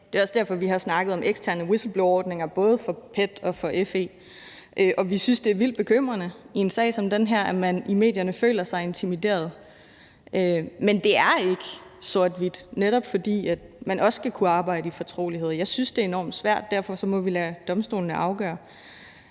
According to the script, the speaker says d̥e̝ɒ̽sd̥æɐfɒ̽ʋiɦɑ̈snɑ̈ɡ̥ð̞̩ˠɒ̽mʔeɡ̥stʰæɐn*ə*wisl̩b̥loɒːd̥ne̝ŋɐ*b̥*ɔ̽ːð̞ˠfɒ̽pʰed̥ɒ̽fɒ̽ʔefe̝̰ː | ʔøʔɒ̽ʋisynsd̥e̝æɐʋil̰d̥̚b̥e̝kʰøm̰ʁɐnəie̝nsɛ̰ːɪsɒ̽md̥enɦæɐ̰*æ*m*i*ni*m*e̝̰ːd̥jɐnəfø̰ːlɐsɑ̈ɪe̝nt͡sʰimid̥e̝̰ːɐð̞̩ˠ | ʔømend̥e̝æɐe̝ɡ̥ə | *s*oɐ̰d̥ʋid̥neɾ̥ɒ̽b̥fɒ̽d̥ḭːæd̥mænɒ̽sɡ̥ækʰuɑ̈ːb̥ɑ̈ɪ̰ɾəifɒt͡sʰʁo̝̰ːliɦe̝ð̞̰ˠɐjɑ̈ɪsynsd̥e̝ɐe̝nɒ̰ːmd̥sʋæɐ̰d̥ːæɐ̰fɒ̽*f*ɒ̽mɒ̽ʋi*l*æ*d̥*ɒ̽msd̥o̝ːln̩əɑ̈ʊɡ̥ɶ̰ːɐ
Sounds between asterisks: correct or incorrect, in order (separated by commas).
correct, correct, correct, incorrect, correct, correct, incorrect, correct, correct